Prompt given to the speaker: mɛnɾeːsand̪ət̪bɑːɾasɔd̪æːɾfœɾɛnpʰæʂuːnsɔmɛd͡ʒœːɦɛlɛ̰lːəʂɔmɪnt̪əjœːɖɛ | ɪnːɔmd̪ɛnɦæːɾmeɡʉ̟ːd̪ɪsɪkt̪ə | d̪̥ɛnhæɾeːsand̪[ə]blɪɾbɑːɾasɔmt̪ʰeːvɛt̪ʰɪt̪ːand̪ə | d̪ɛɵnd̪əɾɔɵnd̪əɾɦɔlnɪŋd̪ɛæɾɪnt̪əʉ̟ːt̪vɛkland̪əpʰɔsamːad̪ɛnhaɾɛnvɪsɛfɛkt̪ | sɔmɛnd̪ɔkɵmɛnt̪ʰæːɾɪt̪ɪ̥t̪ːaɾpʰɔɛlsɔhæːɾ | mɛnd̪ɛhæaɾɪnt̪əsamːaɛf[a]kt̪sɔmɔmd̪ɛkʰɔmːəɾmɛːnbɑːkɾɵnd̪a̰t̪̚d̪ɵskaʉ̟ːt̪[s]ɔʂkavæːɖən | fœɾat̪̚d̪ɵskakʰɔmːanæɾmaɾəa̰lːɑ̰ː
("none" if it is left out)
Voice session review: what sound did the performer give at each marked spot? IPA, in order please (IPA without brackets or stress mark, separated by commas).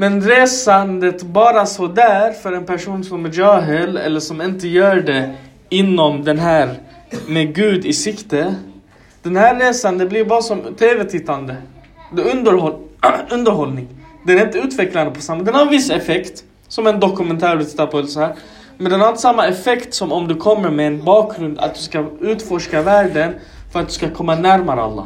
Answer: ə, ɛ, f